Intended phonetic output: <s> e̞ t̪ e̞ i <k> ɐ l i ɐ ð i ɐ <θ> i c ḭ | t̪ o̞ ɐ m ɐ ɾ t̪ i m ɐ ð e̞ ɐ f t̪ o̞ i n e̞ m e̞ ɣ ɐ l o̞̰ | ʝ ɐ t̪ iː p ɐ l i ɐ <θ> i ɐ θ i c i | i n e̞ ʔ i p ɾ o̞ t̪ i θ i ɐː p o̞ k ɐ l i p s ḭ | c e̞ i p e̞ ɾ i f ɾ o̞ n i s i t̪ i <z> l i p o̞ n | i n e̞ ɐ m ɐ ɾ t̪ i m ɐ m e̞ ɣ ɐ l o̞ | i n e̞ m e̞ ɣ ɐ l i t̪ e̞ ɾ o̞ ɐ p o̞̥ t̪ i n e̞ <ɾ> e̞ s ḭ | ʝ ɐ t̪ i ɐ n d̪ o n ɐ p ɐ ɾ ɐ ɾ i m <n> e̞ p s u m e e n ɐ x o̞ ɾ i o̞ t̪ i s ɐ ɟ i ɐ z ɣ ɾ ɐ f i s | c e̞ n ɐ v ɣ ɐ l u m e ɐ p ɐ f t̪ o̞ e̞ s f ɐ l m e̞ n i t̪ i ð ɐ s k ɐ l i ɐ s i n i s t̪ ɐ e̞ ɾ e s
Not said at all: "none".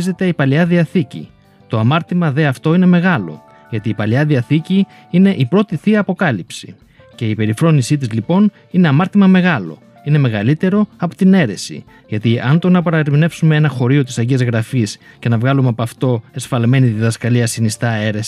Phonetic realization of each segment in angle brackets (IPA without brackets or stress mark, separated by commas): z, p, θ, ð, z, ɾ, n